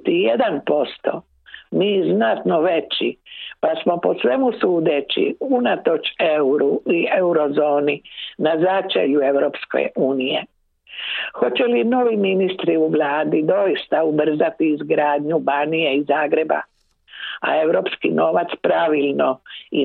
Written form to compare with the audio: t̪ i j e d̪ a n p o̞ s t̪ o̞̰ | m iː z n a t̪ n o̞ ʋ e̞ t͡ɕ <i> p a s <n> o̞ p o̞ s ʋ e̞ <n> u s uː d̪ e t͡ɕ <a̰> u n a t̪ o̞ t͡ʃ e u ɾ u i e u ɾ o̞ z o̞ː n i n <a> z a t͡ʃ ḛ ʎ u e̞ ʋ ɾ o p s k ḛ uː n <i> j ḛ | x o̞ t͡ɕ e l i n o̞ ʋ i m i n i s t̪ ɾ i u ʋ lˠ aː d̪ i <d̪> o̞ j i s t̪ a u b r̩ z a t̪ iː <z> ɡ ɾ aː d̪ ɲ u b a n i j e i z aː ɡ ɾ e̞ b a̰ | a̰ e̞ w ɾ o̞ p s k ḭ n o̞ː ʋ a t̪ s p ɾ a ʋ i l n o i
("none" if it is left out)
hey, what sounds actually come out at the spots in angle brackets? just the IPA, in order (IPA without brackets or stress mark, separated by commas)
i, m, m, ḭ, a, i, d̪, z